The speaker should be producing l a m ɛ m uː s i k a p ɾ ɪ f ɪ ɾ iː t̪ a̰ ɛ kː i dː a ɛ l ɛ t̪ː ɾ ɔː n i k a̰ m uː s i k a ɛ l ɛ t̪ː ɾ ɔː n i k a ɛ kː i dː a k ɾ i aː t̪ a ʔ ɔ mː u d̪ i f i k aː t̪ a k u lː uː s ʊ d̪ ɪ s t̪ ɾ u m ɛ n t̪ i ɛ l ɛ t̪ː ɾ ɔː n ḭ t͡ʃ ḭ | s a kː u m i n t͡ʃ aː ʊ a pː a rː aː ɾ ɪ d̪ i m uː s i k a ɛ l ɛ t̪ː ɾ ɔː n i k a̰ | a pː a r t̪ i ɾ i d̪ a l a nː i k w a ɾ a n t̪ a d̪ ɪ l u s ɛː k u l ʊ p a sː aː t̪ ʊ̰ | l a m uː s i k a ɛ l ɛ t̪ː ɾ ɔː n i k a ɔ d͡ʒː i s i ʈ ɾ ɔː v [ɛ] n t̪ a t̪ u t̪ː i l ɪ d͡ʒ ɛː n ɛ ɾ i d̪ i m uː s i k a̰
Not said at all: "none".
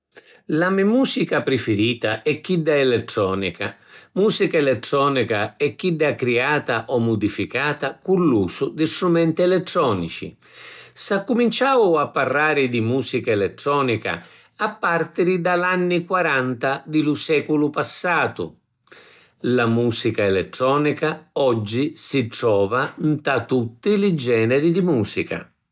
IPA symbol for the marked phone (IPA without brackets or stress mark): a